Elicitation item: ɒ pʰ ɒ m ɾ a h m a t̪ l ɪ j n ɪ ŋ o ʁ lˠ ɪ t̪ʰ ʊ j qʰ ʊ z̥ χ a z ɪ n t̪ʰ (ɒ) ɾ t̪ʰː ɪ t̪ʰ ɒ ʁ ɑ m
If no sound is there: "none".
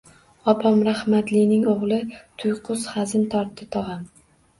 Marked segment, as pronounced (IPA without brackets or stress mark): ɒ